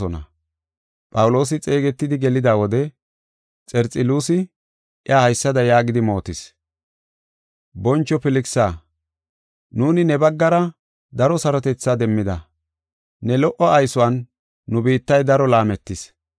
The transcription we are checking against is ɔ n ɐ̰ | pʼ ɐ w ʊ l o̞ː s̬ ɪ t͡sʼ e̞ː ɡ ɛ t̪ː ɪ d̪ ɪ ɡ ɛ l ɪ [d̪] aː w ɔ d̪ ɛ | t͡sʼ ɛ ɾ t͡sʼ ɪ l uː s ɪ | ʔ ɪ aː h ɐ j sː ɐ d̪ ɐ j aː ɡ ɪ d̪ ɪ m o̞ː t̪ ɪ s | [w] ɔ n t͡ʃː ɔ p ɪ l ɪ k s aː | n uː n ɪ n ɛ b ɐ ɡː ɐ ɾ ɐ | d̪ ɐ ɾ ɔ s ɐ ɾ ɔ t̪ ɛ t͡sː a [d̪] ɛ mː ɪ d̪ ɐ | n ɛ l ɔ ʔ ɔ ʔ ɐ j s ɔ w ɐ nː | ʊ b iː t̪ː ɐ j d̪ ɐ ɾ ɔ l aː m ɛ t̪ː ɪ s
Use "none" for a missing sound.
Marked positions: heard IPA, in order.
d̪, b, d̪

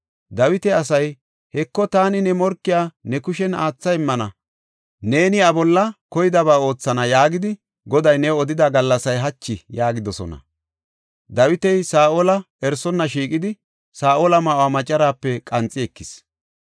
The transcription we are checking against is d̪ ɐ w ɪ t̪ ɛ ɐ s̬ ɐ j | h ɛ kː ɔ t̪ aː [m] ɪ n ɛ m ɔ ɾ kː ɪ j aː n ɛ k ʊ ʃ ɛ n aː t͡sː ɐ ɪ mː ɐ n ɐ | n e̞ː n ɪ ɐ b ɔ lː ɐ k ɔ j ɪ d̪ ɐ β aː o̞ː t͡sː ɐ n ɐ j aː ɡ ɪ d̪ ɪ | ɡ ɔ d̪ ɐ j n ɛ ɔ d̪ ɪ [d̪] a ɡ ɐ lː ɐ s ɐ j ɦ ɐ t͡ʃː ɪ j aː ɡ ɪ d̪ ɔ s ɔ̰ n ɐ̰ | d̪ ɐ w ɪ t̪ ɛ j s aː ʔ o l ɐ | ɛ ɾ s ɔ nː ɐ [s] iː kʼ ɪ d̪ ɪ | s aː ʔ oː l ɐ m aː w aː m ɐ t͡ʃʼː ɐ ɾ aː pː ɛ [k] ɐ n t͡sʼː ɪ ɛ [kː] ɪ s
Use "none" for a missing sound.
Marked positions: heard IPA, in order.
n, d̪, ʃ, kʼ, kː

